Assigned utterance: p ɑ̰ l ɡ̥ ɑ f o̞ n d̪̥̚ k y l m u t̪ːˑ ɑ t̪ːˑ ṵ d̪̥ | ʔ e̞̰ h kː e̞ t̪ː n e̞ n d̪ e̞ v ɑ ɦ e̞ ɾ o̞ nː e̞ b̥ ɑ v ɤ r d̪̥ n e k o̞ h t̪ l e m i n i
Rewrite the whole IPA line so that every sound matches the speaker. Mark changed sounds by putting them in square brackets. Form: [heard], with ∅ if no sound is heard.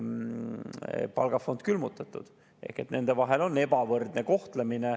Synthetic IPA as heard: p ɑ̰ l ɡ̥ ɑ f o̞ n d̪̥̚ k y l m u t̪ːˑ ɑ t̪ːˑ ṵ d̪̥ | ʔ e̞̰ h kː e̞ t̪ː n e̞ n d̪ e̞ v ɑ ɦ e̞ [l] o̞ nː e̞ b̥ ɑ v ɤ r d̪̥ n e k o̞ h t̪ l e m i n [e]